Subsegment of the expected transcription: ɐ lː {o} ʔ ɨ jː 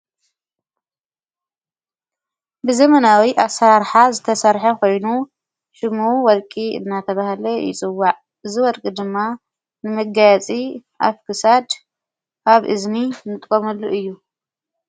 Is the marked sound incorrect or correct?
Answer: incorrect